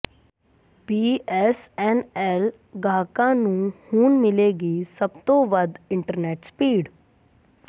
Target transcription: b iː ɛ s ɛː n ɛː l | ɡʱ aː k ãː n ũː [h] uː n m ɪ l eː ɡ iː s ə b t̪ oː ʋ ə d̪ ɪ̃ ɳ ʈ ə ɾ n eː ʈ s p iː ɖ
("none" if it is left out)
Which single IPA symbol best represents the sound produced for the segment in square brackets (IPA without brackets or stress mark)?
h